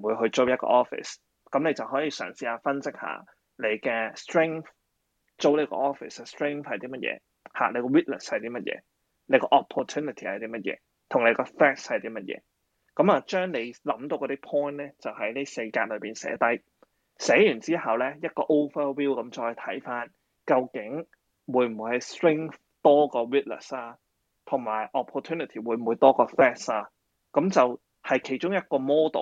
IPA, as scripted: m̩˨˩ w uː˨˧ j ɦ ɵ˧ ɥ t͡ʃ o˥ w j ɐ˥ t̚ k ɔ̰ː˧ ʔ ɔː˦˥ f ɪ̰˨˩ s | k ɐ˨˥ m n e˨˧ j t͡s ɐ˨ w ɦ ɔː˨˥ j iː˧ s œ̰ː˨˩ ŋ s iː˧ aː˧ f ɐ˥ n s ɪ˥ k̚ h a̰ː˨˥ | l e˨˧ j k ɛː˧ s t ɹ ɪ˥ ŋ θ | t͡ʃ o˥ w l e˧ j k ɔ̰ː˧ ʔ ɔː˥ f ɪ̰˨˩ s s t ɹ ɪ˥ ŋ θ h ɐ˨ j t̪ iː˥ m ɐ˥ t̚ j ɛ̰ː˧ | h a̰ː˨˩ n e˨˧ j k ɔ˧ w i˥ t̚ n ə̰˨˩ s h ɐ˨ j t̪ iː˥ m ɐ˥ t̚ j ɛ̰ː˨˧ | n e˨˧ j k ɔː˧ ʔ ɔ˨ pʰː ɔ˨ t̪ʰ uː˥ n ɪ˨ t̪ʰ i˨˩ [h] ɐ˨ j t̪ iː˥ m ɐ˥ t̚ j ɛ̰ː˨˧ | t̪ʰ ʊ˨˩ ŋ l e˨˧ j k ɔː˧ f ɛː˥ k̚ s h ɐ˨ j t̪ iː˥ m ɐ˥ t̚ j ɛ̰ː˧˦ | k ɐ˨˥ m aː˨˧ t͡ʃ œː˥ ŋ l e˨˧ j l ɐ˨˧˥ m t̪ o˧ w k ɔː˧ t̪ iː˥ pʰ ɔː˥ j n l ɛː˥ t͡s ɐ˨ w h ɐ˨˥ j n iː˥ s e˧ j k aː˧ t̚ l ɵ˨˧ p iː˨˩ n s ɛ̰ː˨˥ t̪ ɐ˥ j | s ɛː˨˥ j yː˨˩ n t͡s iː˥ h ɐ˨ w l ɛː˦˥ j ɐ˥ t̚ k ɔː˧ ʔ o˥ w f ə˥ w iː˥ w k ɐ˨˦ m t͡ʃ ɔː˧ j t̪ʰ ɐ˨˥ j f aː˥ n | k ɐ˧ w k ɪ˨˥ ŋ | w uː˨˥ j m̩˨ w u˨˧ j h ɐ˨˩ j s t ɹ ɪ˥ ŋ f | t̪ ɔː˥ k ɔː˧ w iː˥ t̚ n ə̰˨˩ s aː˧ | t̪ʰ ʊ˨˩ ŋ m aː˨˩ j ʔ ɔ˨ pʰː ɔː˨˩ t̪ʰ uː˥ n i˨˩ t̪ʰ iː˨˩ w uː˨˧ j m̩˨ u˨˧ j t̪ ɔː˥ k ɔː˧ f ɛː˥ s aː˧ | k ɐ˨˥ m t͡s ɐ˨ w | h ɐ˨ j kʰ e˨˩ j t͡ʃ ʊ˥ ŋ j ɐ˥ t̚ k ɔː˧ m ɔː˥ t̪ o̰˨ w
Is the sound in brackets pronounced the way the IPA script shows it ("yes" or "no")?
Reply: yes